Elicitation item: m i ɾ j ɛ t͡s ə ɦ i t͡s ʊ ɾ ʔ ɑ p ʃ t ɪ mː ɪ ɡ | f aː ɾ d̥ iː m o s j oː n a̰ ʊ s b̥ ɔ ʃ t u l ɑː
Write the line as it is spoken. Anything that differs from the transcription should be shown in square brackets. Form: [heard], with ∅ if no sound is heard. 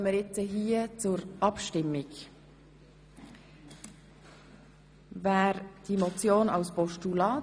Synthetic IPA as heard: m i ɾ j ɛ t͡s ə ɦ [iː] t͡s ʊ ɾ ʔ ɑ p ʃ t ɪ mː ɪ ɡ | [v] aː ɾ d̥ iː m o [t͡s] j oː n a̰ ʊ s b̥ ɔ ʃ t u l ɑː